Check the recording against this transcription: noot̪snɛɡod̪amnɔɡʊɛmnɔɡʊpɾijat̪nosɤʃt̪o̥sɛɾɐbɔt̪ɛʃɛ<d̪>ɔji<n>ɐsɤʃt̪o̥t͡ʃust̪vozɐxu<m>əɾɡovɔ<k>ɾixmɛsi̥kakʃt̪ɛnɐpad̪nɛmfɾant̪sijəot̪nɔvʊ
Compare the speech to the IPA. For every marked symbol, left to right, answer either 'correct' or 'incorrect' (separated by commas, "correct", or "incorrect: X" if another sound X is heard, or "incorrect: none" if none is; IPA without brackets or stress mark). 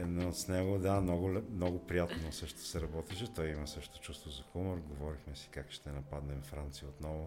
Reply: incorrect: t̪, incorrect: m, correct, incorrect: none